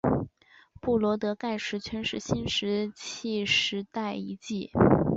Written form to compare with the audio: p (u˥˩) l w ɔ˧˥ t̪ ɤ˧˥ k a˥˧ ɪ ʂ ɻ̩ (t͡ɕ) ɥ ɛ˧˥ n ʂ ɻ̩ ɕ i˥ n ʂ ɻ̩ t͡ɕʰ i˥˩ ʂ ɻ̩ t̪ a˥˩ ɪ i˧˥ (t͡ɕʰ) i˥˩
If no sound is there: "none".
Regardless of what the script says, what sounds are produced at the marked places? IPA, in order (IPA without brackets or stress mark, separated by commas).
u˥˩, t͡ɕʰ, t͡ɕ